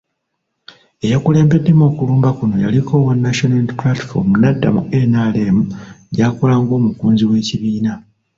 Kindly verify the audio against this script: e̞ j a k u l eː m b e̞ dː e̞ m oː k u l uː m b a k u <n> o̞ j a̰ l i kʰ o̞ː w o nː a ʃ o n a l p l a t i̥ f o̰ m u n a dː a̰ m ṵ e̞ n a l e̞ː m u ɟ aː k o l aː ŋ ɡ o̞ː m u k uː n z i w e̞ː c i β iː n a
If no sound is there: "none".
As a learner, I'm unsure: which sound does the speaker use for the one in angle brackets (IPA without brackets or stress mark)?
n